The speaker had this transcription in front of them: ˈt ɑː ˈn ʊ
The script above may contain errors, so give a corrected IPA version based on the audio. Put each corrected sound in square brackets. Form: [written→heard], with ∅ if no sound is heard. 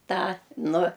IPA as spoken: ˈt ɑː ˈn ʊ